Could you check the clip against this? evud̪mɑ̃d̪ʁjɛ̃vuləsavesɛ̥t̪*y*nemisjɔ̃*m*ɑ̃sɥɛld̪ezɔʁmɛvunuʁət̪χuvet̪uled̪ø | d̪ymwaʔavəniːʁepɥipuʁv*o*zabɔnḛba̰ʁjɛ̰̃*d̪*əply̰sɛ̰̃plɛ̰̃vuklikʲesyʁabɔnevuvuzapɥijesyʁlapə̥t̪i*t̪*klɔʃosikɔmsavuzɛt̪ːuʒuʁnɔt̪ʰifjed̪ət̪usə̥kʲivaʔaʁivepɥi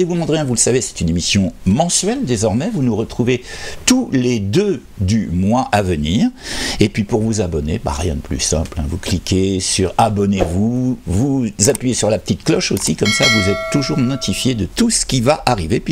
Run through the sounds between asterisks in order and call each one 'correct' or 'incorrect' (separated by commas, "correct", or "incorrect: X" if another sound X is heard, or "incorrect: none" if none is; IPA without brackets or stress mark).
correct, correct, incorrect: u, correct, correct